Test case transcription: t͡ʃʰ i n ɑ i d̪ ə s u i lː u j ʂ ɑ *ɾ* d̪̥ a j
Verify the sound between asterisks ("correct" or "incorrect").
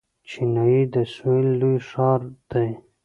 correct